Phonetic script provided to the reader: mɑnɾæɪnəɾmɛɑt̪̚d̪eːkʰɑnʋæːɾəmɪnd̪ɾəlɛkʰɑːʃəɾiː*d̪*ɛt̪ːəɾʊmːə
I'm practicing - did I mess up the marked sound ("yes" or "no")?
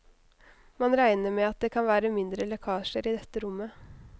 no